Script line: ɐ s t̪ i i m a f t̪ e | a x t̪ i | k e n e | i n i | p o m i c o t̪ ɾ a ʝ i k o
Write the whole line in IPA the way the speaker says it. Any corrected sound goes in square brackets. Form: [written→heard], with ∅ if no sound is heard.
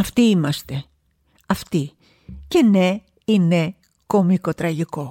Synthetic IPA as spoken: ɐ [s→f] t̪ i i m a [f→s] t̪ e | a [x→f] t̪ i | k e n e | i n [i→e] | [p→k] o m i [c→k] o t̪ ɾ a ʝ i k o